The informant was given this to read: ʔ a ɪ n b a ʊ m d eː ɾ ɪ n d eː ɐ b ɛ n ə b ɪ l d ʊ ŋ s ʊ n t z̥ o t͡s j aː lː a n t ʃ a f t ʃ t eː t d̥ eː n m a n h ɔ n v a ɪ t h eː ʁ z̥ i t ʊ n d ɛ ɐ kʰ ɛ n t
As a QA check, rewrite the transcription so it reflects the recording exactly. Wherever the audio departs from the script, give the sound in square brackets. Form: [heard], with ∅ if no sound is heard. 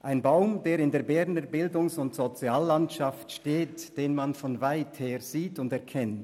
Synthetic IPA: ʔ a ɪ n b a ʊ m d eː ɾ ɪ n d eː ɐ b ɛ n ə b ɪ l d ʊ ŋ s ʊ n t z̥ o t͡s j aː lː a n t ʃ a f t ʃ t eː t d̥ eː n m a n [f] ɔ n v a ɪ t h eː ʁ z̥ [iː] t ʊ n d ɛ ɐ kʰ ɛ n t